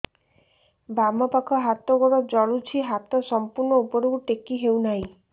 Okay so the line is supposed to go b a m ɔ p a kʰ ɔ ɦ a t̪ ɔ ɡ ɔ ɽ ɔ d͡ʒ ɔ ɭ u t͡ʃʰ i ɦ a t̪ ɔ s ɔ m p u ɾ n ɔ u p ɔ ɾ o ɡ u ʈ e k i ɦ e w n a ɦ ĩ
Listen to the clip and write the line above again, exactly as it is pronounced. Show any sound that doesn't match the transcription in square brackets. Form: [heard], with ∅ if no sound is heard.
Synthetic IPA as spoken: b a m ɔ p a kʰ ɔ ɦ a t̪ ɔ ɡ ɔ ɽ ɔ d͡ʒ ɔ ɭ u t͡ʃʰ i ɦ a t̪ ɔ s ɔ m p u ɾ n ɔ u p ɔ ɾ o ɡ u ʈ e k i ɦ e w n a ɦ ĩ